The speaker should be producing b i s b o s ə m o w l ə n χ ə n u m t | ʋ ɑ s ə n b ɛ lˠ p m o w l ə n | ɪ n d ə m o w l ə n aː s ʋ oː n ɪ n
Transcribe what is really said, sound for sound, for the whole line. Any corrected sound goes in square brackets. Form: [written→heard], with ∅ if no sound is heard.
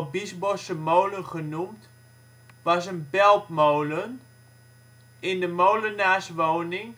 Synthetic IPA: b i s b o s ə m o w l ə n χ ə n u m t | ʋ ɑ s ə n b ɛ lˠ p m o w l ə n | ɪ n d ə m o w l ə n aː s ʋ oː n ɪ [n→ŋ]